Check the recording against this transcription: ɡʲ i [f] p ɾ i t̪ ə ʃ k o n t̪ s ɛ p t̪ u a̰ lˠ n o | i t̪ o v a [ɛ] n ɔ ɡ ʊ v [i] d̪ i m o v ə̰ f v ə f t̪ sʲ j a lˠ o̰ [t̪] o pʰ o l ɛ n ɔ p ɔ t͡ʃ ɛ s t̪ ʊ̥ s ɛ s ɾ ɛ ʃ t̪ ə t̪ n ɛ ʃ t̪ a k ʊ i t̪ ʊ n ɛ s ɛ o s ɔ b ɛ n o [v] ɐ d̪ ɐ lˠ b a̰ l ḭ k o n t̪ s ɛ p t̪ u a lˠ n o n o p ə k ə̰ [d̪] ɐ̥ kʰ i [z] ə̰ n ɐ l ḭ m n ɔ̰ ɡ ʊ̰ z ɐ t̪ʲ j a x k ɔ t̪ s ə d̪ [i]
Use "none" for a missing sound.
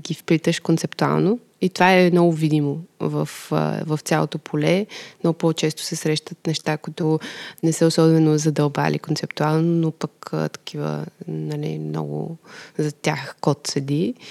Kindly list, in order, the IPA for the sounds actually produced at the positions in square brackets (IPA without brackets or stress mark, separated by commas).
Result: f, ɛ, i, t̪, z, t̪, v, i